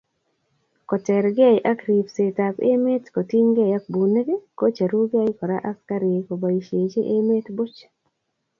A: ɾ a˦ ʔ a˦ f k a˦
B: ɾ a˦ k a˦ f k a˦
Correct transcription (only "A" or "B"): A